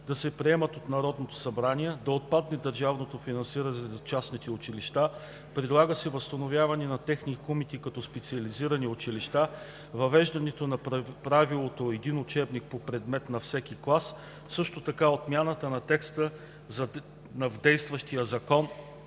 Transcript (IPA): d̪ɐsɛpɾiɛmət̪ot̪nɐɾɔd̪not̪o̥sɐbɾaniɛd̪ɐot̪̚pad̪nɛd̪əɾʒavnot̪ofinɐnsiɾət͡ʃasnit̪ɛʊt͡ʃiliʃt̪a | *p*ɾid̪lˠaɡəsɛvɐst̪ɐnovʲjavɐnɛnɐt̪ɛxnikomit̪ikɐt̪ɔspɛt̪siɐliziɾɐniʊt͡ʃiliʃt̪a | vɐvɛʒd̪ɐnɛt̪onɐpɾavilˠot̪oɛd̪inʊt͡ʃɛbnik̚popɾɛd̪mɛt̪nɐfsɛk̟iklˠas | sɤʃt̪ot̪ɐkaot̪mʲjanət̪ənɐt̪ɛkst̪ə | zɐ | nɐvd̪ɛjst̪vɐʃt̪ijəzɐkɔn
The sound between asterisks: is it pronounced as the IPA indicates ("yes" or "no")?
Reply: yes